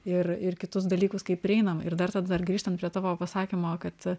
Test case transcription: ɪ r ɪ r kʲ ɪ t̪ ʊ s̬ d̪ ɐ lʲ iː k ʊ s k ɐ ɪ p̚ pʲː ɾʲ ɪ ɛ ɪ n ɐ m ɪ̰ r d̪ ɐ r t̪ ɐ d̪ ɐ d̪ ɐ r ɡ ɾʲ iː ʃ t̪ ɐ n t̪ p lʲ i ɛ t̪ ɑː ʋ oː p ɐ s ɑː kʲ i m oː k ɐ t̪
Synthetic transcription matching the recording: ɪ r ɪ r kʲ ɪ t̪ ʊ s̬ d̪ ɐ lʲ iː k ʊ s k ɐ ɪ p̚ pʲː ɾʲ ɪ ɛ ɪ n ɐ m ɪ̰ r d̪ ɐ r t̪ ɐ d̪ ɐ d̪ ɐ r ɡ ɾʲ iː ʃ t̪ ɐ n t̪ p ɾʲ i ɛ t̪ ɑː ʋ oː p ɐ s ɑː kʲ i m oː k ɐ t̪